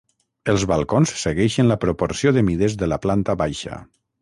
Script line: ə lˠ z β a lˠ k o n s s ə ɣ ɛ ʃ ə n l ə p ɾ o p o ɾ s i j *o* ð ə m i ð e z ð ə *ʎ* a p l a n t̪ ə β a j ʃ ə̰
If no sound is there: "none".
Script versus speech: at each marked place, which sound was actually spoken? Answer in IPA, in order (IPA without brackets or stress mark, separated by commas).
o, l